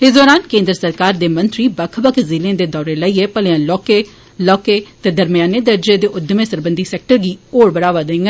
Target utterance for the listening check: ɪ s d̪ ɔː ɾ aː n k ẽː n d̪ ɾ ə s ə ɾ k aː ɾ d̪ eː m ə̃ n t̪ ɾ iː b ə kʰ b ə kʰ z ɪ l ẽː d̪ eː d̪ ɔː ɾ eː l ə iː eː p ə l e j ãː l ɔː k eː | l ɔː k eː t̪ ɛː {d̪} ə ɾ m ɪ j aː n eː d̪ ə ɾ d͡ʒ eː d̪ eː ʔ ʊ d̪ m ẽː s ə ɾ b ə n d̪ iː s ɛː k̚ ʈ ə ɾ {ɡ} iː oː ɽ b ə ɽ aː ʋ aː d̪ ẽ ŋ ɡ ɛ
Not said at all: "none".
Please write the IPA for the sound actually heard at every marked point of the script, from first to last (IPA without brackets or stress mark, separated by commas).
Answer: d̪, ɡ